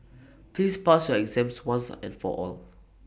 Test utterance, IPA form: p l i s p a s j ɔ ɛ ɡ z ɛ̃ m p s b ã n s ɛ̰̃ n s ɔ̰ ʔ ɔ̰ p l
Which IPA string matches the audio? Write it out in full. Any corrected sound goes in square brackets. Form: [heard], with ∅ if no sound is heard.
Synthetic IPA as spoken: p l i s p a s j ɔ ɛ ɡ z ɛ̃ m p s [w] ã n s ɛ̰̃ n [f] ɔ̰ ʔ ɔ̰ [∅] l